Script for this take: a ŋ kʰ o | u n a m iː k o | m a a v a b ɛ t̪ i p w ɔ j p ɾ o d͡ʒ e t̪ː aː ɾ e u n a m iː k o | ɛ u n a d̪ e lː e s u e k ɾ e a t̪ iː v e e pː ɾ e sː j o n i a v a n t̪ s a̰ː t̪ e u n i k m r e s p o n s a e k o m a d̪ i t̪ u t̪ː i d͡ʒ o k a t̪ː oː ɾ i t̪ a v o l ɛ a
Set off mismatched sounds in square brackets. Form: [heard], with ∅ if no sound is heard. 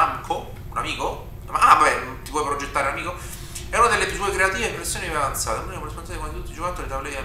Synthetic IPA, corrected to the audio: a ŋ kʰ o | u n a m iː k o | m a a v a b ɛ t̪ i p w ɔ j p ɾ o d͡ʒ e t̪ː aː ɾ e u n a m iː k o | ɛ u n a d̪ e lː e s u e k ɾ e a t̪ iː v e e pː ɾ e sː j o n i a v a n t̪ s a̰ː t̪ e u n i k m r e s p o n s a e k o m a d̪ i t̪ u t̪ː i d͡ʒ o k a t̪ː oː ɾ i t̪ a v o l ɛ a